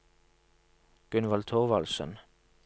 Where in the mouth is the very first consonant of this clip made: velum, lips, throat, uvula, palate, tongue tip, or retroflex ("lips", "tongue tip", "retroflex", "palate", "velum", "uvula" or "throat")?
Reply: velum